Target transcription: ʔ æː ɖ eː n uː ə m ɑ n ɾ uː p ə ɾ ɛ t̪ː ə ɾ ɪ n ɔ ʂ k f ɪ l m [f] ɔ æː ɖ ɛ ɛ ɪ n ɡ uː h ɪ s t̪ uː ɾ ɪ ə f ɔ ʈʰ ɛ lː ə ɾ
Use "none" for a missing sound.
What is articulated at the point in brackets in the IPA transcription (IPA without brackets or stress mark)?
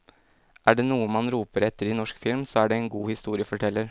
s